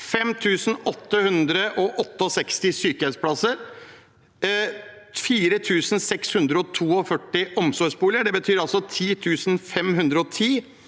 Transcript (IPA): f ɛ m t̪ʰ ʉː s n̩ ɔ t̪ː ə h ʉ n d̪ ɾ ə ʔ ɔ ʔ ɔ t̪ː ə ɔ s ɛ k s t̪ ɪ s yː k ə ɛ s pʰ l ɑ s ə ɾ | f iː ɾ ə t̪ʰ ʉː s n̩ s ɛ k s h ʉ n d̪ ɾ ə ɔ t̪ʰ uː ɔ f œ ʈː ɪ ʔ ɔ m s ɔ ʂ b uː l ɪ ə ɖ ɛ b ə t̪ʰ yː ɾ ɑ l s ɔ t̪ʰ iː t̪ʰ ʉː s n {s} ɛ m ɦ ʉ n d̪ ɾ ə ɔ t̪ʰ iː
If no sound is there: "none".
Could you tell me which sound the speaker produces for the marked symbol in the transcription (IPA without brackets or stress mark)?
f